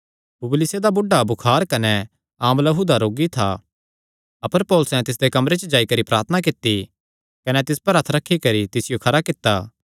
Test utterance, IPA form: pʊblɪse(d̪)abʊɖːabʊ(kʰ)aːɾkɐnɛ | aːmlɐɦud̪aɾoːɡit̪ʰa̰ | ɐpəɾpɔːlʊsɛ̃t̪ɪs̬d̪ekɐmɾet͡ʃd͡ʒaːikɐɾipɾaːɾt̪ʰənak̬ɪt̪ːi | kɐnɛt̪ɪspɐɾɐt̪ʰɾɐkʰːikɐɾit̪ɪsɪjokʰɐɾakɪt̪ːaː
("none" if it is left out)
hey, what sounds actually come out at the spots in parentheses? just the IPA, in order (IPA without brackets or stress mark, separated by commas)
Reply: d̪, kʰ